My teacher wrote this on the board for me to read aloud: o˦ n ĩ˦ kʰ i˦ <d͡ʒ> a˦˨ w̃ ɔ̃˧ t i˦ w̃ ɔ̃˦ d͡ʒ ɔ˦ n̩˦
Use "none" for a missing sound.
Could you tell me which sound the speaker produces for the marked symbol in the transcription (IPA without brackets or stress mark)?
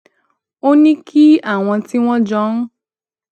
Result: none